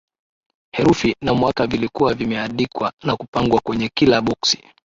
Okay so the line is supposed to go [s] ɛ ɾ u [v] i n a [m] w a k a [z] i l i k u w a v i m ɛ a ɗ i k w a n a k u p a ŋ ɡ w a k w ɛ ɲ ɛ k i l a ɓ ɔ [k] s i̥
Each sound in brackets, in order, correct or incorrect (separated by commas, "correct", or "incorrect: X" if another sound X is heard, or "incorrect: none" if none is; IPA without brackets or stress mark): incorrect: h, incorrect: f, correct, incorrect: v, correct